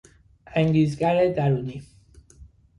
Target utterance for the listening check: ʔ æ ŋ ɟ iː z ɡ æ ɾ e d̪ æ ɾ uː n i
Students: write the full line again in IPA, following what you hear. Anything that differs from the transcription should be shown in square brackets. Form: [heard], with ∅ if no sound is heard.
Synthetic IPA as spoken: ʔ æ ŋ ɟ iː z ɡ æ ɾ e d̪ æ ɾ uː n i